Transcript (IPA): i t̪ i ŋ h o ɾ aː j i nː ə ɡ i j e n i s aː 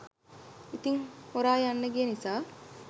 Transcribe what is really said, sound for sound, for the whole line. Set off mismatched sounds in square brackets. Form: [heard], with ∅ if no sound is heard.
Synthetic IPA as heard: i t̪ i ŋ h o ɾ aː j [a] nː ə ɡ i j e n i s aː